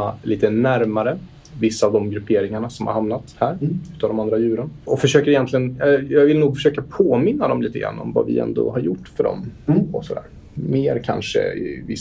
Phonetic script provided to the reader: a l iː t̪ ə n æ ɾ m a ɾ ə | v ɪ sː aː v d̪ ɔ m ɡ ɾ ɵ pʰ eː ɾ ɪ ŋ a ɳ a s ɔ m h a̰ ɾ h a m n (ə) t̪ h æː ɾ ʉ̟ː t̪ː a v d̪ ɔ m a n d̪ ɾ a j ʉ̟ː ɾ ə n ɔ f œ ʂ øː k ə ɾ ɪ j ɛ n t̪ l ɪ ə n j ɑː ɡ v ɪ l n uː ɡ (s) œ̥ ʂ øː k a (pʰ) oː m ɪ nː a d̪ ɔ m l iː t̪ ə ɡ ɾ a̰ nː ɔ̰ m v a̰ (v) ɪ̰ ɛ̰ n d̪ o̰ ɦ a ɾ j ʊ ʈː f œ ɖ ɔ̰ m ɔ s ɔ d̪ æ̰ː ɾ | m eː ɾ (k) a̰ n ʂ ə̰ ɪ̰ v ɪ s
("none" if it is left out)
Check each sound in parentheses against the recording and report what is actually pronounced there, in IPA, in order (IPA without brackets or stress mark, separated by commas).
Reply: a, f, pʰ, v, kʰ